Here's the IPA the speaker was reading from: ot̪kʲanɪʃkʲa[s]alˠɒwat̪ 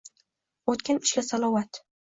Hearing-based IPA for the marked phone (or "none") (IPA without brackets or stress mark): s